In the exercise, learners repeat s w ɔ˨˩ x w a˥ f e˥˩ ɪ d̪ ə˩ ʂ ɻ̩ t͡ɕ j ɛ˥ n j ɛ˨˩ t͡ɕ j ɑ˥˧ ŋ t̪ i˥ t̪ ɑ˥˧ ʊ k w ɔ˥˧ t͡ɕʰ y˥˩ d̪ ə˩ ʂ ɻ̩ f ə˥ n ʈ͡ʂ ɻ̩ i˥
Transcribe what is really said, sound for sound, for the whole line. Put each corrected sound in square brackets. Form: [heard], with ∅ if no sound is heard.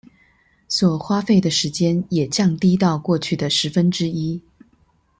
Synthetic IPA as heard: s w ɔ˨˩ x w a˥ f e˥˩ ɪ d̪ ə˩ ʂ ɻ̩ t͡ɕ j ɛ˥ n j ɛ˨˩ t͡ɕ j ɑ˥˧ ŋ t̪ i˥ t̪ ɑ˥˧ ʊ k w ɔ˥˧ t͡ɕʰ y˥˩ d̪ ə˩ ʂ ɻ̩ f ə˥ n ʈ͡ʂ ɻ̩ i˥